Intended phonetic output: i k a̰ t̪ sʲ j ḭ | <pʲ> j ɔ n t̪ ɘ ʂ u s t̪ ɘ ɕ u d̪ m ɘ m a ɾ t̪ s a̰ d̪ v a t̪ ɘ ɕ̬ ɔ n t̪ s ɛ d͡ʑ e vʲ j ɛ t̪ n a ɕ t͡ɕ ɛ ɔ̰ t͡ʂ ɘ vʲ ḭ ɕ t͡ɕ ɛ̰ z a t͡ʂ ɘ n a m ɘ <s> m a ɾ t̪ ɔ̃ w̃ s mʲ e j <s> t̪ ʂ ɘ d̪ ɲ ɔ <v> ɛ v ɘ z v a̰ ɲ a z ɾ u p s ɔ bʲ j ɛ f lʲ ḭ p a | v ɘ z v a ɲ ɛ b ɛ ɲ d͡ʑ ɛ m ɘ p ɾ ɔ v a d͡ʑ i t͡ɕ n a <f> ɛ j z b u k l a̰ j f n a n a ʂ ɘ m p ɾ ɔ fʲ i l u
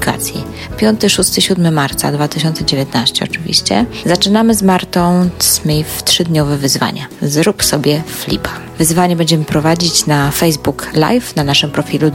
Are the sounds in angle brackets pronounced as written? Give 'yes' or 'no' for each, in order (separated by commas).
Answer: yes, no, no, yes, yes